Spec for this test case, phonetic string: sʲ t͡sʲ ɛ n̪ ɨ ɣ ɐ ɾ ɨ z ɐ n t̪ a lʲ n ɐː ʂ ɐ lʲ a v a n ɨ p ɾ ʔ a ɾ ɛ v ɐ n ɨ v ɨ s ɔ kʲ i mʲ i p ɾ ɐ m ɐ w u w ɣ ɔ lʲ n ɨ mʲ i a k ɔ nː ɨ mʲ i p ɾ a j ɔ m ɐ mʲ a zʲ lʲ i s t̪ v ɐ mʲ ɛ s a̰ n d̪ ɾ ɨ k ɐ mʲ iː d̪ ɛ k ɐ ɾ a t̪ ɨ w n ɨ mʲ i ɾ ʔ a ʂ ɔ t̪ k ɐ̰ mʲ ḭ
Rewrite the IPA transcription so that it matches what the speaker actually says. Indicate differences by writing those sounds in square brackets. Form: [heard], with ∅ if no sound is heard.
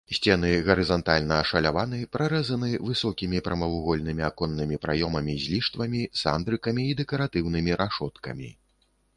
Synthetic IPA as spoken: sʲ t͡sʲ ɛ n̪ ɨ ɣ ɐ ɾ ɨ z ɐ n t̪ a lʲ n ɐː ʂ ɐ lʲ a v a n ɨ p ɾ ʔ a ɾ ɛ [z] ɐ n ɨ v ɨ s ɔ kʲ i mʲ i p ɾ ɐ m ɐ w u [∅] ɣ ɔ lʲ n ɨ mʲ i a k ɔ nː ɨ mʲ i p ɾ a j ɔ m ɐ mʲ [i] zʲ lʲ i [ʂ] t̪ v ɐ mʲ [i] s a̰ n d̪ ɾ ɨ k ɐ mʲ iː d̪ ɛ k ɐ ɾ a t̪ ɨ w n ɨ mʲ i ɾ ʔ a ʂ ɔ t̪ k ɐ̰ mʲ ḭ